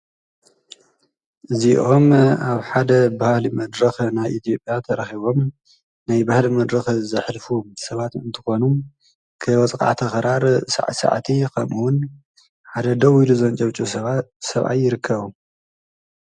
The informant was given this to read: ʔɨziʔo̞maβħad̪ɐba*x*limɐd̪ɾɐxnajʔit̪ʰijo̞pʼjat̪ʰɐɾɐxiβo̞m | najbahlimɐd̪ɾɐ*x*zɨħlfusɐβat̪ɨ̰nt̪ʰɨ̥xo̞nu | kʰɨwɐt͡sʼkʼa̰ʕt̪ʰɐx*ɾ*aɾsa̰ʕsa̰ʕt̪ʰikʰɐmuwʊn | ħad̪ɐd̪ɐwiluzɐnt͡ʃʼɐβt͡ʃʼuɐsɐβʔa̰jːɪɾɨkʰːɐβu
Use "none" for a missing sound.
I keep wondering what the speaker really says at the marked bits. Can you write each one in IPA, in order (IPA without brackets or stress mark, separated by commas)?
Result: h, x, ɾ